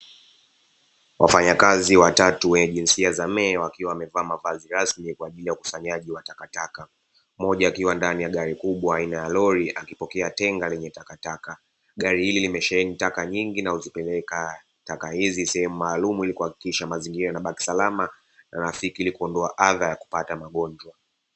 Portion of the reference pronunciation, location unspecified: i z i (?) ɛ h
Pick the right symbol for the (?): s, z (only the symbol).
s